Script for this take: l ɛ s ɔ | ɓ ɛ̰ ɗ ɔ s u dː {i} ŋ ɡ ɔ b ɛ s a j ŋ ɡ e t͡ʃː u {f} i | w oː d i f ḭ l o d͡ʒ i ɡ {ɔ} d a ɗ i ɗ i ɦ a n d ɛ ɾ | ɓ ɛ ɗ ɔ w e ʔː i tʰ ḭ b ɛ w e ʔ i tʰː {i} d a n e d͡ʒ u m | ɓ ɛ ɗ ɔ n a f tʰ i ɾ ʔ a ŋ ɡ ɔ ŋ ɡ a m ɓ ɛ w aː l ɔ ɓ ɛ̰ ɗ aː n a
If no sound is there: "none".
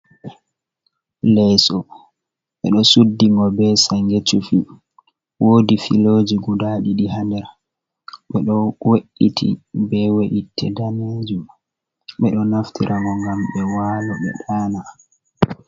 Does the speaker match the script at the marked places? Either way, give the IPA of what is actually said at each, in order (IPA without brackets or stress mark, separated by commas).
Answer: i, f, u, ɛ